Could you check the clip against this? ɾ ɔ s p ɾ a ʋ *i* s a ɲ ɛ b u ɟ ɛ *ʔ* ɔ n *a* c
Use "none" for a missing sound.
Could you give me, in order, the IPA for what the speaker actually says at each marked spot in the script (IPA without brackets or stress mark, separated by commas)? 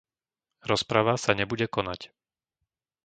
a, k, a